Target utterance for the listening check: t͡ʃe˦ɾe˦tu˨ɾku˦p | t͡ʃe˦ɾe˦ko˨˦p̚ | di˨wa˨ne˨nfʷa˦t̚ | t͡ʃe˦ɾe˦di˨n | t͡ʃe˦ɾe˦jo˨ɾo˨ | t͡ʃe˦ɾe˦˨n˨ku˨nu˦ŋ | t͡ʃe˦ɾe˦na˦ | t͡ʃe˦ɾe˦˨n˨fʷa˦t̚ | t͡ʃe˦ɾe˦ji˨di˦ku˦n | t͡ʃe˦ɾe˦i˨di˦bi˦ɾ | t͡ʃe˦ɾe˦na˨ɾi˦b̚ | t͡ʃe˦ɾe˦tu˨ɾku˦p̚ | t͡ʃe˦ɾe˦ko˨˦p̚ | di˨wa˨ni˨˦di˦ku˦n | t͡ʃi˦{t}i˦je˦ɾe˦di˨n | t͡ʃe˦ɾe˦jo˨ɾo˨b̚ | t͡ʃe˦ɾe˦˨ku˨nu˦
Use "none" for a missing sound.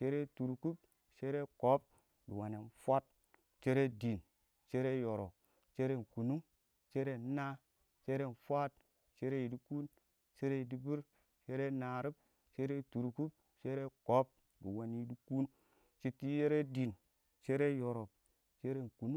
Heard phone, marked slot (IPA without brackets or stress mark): t